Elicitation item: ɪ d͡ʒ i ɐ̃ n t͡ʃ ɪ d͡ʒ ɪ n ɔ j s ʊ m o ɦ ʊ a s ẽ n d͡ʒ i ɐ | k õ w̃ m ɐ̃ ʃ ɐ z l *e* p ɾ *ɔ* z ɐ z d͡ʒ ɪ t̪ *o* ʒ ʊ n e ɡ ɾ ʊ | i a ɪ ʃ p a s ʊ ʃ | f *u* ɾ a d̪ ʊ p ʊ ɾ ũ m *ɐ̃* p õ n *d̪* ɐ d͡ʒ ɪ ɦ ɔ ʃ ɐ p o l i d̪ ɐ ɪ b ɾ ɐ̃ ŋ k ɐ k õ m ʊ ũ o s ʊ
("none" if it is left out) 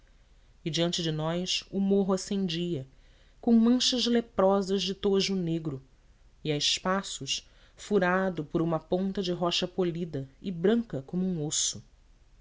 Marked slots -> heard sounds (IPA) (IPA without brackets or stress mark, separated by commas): e, ɔ, o, u, ɐ, t̪